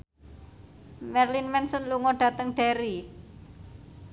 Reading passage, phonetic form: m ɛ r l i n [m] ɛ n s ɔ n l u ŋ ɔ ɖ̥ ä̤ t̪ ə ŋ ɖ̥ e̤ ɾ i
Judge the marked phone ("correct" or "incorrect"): correct